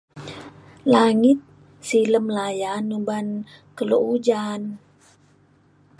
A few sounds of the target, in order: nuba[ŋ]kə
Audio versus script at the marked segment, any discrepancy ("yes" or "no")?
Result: yes